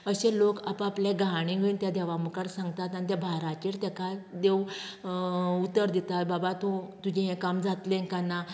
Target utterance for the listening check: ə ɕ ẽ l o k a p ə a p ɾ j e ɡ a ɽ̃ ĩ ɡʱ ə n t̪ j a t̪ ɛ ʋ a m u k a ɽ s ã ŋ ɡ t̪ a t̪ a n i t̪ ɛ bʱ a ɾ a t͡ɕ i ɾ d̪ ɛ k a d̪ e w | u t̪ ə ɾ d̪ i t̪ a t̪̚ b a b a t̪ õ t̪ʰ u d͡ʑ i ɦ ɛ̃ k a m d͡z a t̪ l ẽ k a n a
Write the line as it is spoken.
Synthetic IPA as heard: ə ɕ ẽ l o k a p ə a p l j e ɡ a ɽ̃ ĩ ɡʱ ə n t̪ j a d̪ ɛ ʋ a m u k a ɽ s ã ŋ ɡ t̪ a t̪ a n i t̪ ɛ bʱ a ɾ a t͡ɕ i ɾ t̪ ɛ k a d̪ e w | u t̪ ə ɾ d̪ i t̪ a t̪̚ b a b a t̪ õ t̪ u d͡ʑ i ɦ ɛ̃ k a m d͡z a t̪ l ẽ k a n a